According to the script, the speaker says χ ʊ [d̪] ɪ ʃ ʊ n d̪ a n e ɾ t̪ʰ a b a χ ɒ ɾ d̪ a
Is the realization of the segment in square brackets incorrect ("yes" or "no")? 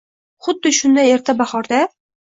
yes